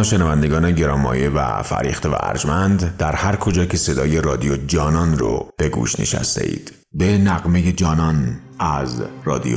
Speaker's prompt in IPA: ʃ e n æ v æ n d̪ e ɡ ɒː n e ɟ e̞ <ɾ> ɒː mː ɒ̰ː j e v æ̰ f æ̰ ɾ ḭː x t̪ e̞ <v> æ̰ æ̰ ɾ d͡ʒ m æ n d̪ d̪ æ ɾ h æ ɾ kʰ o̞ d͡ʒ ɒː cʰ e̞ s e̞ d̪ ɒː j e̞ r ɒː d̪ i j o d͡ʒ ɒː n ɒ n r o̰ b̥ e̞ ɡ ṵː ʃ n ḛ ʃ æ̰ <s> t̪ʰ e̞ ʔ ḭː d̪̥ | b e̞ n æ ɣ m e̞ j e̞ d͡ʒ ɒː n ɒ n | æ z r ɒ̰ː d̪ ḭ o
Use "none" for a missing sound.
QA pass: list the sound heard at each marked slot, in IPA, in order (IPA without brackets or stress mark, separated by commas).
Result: ɾ, v, s